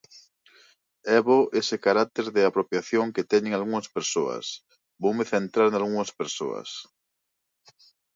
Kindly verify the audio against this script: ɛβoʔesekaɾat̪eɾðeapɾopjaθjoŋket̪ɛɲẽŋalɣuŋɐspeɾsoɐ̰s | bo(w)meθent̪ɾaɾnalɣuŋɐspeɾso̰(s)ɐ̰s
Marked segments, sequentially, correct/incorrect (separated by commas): correct, incorrect